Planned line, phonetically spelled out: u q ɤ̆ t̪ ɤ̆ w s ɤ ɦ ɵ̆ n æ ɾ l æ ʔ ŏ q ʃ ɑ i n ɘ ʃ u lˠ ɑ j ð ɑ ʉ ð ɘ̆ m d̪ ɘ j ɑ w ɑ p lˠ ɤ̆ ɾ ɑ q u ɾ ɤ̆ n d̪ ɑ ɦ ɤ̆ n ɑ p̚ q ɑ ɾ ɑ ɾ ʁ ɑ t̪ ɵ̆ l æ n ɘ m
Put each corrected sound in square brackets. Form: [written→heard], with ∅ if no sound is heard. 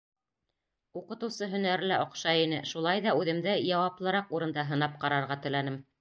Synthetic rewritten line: u q ɤ̆ t̪ ɤ̆ w s ɤ ɦ ɵ̆ n æ ɾ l æ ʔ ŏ q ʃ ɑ i n ɘ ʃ u lˠ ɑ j ð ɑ ʉ ð ɘ̆ m d̪ ɘ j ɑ w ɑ p lˠ ɤ̆ ɾ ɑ q u ɾ ɤ̆ n d̪ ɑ ɦ ɤ̆ n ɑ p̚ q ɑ ɾ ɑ ɾ ʁ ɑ t̪ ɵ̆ l æ n ɘ m